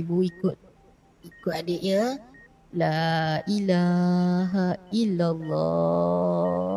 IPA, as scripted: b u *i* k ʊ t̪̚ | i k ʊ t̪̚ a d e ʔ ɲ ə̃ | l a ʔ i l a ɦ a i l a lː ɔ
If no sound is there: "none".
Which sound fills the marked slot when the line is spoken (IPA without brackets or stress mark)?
i